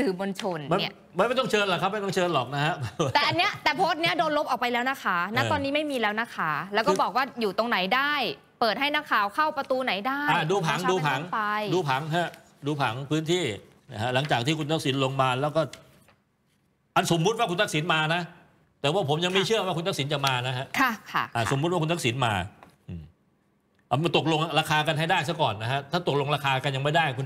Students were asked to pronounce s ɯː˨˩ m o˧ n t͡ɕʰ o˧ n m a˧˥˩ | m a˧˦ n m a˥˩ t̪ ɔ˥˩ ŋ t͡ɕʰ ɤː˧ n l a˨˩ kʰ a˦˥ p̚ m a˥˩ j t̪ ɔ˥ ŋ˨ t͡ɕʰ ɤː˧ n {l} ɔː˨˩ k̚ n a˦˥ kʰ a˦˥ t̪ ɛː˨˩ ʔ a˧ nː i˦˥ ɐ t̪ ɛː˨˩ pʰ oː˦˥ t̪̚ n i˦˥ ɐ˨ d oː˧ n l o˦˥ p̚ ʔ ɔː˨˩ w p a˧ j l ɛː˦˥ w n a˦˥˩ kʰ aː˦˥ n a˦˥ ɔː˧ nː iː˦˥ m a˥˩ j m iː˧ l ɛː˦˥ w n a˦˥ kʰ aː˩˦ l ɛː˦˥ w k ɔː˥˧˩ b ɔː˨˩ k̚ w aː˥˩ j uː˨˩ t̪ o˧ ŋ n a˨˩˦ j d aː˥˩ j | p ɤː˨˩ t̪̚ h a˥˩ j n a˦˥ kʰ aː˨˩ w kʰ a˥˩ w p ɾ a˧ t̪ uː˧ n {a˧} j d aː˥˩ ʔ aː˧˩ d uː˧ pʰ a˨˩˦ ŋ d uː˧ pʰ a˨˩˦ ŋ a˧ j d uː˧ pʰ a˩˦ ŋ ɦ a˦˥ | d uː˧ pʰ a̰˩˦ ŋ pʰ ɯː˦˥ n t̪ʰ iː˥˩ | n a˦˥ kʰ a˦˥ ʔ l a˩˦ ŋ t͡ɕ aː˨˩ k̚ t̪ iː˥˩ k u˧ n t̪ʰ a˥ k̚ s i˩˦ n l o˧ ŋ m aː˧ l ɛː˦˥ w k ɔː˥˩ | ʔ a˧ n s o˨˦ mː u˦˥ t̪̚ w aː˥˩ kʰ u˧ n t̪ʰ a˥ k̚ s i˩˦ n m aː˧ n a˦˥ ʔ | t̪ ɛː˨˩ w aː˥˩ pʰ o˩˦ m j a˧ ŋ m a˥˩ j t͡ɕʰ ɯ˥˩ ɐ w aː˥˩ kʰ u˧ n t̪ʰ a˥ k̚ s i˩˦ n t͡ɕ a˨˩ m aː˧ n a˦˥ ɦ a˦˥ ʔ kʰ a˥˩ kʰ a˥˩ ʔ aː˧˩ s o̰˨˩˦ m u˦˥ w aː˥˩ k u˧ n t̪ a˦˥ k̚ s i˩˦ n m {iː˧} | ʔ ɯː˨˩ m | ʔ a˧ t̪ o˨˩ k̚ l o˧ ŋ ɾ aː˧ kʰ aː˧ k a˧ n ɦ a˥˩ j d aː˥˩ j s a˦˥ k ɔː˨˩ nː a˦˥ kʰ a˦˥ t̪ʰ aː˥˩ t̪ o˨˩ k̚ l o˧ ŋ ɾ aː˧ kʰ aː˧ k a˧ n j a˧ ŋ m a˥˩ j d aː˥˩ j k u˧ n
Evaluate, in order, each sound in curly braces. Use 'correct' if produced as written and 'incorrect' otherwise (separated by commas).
correct, incorrect, incorrect